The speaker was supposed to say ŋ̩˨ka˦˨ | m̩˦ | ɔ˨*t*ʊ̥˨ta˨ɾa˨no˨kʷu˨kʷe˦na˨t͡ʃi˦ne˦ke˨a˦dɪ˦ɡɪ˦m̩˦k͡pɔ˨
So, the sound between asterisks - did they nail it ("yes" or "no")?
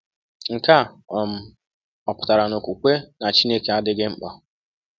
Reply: no